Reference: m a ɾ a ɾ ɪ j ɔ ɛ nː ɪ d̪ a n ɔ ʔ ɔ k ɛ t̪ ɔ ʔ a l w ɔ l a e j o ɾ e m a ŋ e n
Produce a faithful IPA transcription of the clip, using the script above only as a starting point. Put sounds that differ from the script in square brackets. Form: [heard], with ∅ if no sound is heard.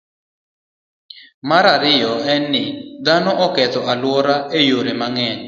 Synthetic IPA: m a ɾ a ɾ ɪ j ɔ ɛ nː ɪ d̪ a n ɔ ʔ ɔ k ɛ t̪ ɔ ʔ a l w ɔ [ɾ] a e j o ɾ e m a ŋ [ɛ] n